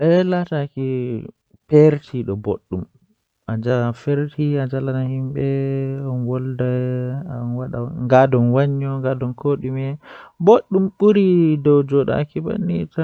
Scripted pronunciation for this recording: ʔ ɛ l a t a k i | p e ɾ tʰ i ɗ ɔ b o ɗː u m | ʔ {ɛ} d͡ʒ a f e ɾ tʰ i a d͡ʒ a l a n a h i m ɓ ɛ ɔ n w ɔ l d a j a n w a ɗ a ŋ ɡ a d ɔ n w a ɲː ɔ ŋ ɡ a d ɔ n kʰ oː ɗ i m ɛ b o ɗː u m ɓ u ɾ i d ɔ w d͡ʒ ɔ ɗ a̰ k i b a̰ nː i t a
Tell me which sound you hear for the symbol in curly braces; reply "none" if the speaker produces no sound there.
a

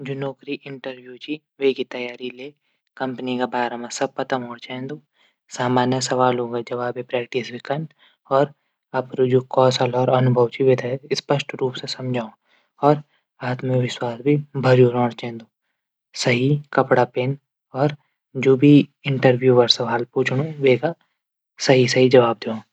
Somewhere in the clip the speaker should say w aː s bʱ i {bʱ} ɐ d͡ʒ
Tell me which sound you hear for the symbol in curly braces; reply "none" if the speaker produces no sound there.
bʱ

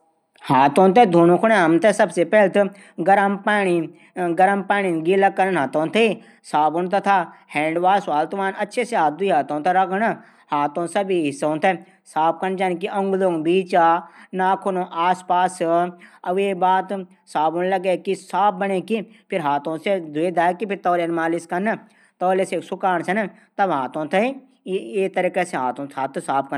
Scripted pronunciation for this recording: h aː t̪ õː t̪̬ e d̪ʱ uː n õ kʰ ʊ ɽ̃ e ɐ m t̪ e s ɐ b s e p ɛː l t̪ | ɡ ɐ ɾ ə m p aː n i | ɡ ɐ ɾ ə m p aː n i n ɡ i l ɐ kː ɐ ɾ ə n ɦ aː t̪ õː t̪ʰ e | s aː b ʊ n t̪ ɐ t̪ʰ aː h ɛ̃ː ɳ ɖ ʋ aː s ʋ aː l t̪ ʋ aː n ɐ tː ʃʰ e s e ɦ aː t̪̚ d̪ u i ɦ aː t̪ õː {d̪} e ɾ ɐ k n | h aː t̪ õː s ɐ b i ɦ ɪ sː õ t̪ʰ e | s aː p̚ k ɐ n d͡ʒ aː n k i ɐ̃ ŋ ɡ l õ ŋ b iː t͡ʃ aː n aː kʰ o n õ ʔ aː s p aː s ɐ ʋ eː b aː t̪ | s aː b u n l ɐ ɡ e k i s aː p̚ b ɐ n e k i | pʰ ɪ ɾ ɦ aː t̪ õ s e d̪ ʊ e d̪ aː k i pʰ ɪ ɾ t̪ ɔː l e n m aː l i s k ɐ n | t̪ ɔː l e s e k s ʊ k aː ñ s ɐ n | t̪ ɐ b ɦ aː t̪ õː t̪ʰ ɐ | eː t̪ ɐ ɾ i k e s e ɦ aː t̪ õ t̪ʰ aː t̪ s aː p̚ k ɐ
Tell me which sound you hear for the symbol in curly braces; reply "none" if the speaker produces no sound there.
t̪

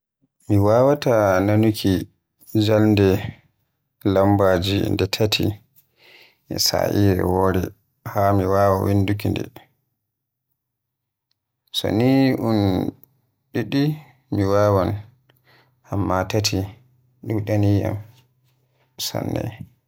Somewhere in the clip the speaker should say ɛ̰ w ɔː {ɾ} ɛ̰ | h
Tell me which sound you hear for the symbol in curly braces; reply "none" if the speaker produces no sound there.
ɾ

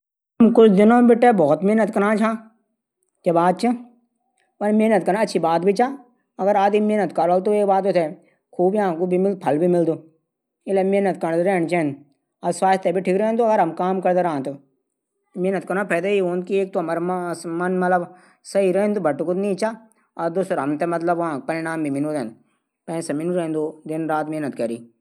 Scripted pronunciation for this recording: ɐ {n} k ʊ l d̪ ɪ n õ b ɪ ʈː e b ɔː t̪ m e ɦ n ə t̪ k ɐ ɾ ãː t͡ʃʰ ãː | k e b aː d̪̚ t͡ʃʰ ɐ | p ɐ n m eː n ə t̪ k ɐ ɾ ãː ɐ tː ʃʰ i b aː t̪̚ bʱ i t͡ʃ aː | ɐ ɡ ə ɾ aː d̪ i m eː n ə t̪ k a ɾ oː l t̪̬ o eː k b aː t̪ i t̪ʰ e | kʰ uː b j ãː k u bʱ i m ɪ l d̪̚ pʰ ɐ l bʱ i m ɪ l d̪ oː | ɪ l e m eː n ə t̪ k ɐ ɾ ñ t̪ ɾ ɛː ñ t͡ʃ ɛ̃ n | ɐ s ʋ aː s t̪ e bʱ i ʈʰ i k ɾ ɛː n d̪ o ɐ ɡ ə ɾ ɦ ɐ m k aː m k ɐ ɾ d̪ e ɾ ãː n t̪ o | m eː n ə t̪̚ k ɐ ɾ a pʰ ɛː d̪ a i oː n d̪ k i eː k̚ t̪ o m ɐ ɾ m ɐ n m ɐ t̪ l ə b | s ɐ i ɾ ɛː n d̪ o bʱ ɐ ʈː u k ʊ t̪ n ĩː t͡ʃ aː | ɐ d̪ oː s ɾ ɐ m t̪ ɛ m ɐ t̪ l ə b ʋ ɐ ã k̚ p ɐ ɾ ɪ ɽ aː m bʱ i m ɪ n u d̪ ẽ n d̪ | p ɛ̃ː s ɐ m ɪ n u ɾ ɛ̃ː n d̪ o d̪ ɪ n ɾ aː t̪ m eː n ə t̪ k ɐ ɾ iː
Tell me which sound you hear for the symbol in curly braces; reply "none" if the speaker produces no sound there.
m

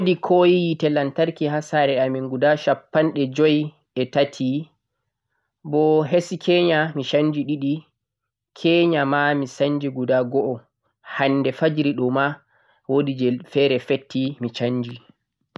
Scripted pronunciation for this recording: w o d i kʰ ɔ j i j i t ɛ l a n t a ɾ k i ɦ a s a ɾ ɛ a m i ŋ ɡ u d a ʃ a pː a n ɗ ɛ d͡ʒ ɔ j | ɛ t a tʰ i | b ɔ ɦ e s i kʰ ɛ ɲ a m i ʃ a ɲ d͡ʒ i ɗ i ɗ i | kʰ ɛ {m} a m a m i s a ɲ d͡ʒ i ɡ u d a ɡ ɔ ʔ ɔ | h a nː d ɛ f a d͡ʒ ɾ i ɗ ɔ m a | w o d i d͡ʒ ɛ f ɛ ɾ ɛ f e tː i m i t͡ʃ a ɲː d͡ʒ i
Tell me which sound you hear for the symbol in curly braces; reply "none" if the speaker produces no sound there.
ɲ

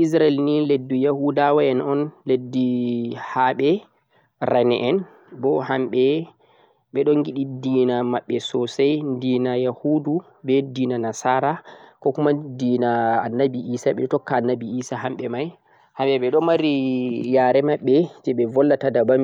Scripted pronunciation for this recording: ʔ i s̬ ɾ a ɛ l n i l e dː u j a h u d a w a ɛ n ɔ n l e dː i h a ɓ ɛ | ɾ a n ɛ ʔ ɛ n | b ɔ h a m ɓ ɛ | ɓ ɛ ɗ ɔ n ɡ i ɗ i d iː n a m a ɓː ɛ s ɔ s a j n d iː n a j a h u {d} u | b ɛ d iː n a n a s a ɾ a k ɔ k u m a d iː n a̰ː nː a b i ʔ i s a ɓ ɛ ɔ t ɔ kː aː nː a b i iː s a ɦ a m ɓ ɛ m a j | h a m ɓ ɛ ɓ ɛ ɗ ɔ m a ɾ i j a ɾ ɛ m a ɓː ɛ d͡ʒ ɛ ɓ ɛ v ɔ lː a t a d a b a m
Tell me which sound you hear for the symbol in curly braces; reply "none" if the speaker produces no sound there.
d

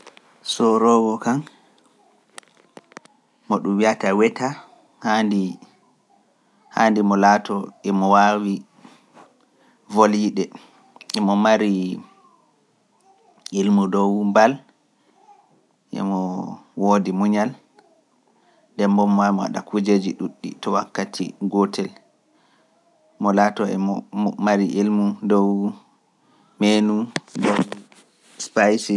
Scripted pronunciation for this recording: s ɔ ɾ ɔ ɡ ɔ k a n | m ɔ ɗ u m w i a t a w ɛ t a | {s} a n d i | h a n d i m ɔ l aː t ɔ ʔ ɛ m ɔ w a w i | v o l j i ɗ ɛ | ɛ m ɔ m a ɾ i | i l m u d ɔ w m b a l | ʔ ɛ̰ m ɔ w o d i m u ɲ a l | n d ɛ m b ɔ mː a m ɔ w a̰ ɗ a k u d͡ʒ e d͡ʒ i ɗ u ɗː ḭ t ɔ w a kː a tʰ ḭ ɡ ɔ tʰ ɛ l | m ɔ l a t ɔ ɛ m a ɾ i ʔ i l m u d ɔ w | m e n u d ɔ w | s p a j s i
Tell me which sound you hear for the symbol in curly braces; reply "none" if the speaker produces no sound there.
h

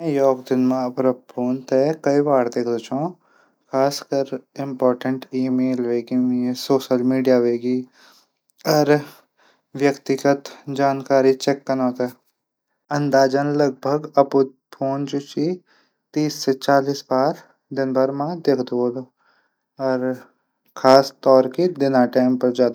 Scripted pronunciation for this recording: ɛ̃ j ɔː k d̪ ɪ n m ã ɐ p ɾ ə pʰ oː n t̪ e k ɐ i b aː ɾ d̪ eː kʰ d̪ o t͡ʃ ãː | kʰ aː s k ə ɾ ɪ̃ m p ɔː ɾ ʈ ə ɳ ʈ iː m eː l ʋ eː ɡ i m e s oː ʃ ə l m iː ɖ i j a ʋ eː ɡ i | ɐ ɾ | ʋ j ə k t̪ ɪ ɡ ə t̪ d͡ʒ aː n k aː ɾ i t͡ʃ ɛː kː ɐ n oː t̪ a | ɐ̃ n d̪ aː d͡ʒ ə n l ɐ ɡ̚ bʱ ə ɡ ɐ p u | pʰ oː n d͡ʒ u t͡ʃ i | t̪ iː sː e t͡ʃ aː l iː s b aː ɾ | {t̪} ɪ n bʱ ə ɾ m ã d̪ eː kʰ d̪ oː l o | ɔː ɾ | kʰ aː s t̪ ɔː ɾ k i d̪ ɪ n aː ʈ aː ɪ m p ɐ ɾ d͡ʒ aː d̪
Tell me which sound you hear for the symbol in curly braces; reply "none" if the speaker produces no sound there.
d̪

